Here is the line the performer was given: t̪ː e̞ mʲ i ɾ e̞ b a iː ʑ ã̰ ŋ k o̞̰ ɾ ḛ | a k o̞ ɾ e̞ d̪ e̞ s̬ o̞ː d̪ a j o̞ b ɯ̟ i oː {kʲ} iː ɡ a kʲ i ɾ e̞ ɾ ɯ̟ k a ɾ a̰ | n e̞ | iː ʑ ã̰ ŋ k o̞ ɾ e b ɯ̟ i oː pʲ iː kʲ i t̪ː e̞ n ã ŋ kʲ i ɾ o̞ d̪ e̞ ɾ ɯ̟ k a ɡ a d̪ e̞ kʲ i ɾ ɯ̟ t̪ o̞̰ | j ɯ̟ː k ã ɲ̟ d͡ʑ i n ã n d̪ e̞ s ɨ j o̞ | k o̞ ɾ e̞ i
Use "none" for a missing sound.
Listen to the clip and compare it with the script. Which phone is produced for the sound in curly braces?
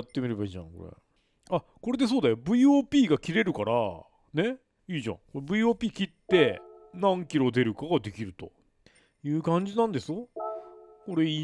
pʲ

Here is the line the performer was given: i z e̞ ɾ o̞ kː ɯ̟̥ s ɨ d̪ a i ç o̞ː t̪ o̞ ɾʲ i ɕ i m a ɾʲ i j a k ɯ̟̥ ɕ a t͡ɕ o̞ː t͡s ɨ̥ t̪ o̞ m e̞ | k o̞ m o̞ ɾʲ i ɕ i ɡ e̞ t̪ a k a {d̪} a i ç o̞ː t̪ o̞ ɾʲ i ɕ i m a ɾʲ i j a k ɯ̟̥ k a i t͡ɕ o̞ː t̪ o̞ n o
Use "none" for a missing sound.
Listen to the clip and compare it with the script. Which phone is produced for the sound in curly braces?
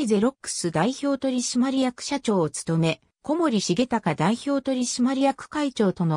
d̪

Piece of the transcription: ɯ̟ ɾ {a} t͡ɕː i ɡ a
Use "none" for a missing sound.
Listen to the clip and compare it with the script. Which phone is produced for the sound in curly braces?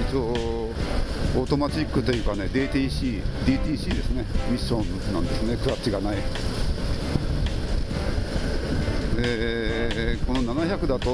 a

